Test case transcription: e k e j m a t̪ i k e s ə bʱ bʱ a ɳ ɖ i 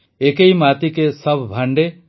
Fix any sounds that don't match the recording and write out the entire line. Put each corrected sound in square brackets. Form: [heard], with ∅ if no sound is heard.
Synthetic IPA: e k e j m a t̪ i k e s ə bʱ bʱ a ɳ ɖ [e]